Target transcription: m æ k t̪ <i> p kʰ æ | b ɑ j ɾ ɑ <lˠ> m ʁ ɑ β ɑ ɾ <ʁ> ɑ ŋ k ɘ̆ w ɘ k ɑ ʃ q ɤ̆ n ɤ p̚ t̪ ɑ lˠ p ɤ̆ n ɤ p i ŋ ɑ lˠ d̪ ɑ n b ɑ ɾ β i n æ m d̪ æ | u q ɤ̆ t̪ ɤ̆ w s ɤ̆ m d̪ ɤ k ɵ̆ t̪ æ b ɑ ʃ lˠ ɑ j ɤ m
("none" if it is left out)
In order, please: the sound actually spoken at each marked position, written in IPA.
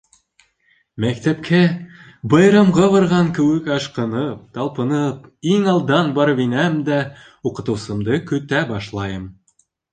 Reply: æ, none, ʁ

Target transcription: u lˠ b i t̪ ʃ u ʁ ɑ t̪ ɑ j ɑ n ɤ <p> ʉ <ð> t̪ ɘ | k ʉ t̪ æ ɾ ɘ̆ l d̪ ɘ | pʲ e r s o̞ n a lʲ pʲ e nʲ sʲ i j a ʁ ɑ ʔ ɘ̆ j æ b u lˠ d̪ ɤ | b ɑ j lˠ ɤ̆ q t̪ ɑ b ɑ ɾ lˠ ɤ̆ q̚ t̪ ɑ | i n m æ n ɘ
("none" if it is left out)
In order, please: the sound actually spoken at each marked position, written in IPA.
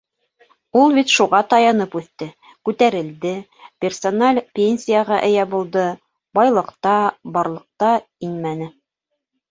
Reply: p, θ

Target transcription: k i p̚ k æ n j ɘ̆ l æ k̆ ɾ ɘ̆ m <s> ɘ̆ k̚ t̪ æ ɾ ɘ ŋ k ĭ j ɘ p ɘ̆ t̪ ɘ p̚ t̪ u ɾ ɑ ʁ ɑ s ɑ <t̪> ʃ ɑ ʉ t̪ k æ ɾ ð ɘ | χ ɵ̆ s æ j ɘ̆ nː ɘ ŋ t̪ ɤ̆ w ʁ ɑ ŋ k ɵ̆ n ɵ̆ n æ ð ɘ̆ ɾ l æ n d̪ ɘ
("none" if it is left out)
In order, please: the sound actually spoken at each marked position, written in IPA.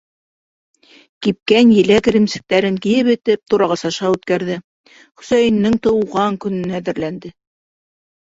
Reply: s, none

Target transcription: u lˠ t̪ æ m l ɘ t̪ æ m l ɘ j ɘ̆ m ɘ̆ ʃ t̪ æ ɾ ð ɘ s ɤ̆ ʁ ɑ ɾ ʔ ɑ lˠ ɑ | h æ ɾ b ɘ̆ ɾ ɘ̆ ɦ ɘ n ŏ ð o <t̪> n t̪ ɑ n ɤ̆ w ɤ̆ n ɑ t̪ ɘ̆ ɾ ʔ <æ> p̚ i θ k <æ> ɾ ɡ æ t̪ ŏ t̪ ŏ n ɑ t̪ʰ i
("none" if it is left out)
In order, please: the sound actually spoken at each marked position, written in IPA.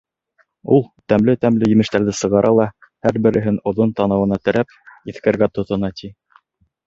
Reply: none, æ, æ

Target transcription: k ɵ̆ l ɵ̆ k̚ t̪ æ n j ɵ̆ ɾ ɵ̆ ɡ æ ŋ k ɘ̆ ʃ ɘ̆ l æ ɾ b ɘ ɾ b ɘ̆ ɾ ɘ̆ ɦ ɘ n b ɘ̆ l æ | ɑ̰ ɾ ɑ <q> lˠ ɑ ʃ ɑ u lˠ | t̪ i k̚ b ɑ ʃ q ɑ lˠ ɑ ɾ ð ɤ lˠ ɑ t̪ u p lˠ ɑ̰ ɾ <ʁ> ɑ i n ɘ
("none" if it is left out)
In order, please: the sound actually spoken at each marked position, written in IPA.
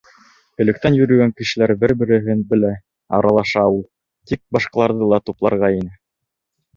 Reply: none, ʁ

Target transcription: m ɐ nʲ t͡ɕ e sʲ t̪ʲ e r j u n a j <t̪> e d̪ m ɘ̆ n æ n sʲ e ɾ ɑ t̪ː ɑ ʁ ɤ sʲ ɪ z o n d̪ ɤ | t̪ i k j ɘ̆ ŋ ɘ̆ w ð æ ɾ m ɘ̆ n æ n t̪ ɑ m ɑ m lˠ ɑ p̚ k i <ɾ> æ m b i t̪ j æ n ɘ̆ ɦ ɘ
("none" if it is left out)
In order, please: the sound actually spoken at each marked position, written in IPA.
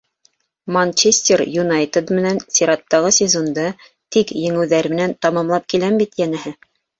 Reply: t̪, l

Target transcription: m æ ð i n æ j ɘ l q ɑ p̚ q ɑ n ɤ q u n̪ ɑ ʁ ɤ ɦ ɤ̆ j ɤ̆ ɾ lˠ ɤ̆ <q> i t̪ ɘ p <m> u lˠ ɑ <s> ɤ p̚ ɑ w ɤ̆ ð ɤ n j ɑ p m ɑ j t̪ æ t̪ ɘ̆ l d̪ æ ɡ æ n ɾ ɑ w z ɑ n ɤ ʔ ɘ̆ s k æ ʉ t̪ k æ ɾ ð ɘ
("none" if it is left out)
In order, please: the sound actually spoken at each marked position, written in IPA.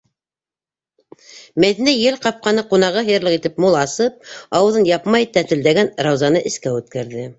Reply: q, m, s

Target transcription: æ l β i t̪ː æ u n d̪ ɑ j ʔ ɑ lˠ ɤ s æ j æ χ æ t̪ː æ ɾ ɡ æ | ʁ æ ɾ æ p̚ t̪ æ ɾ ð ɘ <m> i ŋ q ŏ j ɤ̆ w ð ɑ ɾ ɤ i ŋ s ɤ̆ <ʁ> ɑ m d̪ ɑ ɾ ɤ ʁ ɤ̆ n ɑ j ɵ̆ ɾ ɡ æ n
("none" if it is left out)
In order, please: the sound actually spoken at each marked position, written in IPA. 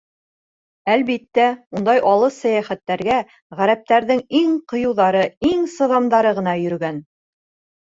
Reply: ŋ, ð

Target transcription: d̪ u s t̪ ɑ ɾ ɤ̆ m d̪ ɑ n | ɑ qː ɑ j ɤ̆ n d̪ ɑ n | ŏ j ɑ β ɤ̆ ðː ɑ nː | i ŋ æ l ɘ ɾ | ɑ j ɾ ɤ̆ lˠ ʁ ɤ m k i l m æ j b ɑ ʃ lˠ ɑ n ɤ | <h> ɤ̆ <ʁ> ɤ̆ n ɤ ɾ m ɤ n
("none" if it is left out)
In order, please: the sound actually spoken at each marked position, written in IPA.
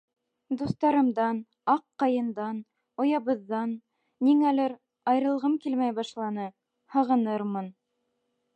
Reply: h, ʁ

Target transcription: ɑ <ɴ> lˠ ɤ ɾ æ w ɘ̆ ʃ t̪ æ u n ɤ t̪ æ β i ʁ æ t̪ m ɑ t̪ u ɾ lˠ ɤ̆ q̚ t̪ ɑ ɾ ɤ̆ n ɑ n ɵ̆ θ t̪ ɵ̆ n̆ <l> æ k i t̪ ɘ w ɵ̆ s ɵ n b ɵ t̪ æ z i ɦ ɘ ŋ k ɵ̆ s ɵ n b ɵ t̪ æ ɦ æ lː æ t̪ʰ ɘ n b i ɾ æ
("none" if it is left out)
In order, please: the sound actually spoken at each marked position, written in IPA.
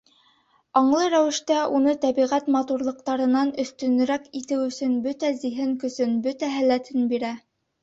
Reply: ɴ, ɾ

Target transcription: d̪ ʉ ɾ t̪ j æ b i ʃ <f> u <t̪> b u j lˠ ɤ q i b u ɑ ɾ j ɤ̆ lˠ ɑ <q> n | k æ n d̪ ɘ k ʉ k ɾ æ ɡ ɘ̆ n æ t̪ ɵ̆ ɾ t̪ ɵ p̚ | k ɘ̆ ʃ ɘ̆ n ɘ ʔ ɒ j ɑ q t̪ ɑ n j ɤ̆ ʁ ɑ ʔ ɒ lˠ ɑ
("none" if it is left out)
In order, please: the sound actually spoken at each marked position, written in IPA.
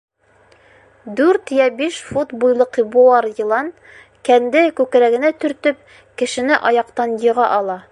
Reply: f, t̪, none

